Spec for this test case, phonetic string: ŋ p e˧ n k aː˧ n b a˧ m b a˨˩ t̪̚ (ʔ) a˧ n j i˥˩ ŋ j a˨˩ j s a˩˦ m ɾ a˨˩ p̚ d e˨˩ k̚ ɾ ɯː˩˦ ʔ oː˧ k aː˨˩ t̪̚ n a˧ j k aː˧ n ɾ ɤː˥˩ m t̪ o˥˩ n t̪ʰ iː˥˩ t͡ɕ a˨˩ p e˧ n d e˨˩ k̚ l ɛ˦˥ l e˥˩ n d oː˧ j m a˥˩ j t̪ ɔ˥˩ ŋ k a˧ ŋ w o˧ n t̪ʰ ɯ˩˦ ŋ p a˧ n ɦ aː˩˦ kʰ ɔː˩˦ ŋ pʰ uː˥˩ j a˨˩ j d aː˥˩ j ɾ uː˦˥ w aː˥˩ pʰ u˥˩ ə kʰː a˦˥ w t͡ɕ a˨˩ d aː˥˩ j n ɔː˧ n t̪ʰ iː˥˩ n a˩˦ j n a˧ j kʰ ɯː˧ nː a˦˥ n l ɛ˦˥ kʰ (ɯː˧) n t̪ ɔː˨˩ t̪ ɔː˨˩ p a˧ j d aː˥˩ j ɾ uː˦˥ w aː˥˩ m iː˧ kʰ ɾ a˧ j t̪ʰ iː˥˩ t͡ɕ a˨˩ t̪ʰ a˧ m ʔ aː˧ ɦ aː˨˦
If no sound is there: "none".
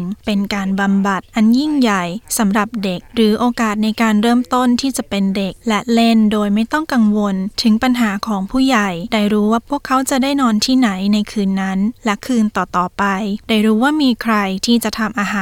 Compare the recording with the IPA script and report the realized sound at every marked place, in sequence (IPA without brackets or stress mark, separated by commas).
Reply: ʔ, ɯː˧